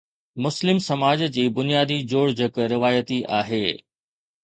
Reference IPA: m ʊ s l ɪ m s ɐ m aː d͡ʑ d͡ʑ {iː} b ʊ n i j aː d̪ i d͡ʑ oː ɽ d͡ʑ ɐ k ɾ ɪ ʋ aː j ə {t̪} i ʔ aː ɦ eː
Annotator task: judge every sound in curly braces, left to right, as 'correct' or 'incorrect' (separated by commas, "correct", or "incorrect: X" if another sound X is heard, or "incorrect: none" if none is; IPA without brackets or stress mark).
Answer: correct, correct